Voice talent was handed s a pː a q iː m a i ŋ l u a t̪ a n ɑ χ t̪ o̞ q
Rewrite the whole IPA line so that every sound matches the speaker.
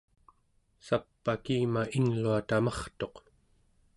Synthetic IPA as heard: s a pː a k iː m a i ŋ l u a t̪ a m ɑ χ t̪ o̞ q